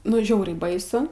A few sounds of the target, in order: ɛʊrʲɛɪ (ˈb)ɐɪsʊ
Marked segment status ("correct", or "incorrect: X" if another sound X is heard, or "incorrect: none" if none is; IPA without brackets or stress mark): correct